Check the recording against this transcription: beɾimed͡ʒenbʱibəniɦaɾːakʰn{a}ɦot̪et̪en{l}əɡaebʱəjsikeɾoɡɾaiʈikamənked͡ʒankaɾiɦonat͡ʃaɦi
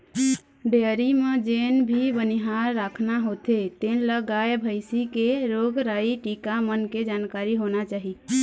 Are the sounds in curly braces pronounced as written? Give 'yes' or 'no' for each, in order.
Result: yes, yes

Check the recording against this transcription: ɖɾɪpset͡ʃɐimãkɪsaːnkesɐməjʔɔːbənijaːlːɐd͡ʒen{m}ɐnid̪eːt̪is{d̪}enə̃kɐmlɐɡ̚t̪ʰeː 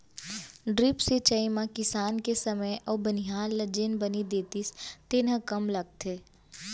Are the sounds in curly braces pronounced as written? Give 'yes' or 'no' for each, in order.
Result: no, no

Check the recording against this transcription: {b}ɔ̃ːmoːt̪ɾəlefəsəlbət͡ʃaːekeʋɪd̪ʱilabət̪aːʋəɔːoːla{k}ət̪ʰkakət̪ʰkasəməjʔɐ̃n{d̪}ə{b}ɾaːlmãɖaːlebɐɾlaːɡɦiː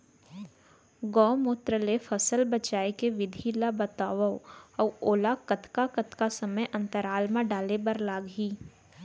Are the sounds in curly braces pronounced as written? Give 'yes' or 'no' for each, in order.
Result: no, yes, no, no

